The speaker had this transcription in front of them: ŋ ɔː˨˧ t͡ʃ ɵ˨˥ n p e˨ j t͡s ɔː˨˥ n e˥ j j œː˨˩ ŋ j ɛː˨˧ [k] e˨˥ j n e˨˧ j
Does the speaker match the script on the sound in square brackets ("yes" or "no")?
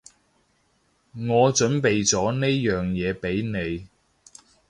no